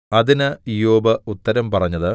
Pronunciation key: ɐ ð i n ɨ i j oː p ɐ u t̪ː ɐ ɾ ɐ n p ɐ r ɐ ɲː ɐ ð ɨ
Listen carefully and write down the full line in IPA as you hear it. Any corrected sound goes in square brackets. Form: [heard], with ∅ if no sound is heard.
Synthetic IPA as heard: ɐ ð i n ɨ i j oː [b] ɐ u t̪ː ɐ ɾ ɐ [m] p ɐ r ɐ ɲː ɐ ð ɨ